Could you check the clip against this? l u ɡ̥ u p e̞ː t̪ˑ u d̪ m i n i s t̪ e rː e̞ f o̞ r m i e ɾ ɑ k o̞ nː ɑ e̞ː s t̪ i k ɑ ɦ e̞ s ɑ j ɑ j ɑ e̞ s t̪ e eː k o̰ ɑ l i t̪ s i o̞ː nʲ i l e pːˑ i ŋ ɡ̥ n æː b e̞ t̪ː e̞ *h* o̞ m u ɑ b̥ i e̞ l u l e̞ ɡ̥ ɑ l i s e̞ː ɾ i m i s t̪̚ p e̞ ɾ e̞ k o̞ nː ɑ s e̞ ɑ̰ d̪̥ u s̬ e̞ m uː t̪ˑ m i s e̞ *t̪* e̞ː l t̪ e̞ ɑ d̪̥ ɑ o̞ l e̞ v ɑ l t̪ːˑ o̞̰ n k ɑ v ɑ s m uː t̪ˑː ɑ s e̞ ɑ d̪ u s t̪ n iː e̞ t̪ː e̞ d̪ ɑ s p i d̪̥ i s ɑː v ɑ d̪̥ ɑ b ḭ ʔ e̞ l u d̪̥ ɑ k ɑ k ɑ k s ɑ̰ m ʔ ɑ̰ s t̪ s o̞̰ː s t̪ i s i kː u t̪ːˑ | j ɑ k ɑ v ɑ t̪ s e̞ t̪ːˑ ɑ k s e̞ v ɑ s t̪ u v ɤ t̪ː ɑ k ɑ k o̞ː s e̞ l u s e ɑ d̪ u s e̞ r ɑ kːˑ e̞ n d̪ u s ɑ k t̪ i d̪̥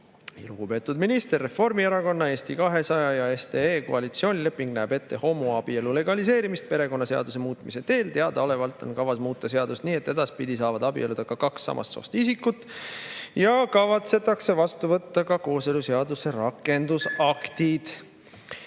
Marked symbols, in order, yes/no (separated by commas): yes, yes